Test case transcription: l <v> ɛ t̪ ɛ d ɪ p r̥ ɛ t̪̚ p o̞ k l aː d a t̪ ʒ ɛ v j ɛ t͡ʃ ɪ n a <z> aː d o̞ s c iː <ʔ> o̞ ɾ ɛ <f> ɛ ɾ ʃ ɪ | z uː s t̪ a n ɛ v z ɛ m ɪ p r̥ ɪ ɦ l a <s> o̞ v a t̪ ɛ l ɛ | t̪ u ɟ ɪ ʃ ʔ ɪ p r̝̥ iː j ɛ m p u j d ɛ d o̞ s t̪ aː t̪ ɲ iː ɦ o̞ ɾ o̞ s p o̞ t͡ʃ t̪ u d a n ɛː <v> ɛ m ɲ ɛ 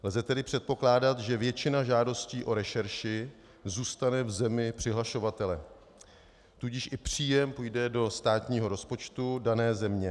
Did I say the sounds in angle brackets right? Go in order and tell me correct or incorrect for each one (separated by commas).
incorrect, incorrect, correct, incorrect, incorrect, incorrect